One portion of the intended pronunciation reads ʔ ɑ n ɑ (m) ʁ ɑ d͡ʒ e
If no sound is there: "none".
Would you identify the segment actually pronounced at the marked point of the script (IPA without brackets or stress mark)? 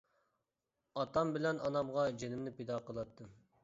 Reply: m